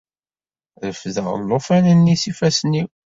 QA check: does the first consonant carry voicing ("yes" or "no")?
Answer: yes